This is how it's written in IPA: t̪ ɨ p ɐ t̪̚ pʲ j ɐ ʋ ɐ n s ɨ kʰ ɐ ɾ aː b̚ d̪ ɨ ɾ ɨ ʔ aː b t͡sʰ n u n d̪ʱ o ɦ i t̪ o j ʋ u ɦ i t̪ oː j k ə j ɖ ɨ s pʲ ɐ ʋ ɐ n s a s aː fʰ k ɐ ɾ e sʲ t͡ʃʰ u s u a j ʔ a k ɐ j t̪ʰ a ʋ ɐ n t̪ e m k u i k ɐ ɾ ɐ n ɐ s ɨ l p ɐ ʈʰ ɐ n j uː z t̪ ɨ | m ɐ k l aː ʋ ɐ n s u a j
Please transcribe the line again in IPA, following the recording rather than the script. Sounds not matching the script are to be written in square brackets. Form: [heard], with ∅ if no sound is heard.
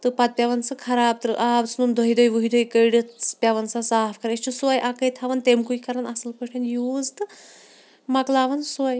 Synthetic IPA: t̪ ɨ p ɐ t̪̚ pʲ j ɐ ʋ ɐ n s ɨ kʰ ɐ ɾ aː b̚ [t̪] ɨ ɾ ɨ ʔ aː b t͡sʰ n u n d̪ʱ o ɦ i [d̪] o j ʋ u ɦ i [d̪] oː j k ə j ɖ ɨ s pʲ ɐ ʋ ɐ n s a s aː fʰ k ɐ ɾ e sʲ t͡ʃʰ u s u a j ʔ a k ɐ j t̪ʰ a ʋ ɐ n t̪ e m k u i k ɐ ɾ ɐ n ɐ s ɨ l p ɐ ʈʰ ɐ n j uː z t̪ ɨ | m ɐ k l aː ʋ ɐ n s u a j